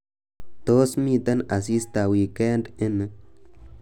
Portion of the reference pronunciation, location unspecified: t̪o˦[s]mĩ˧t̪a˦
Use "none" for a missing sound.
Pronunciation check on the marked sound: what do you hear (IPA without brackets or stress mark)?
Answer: s